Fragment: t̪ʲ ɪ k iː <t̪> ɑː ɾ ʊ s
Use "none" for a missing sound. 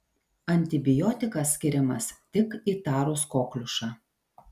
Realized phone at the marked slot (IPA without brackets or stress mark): t̪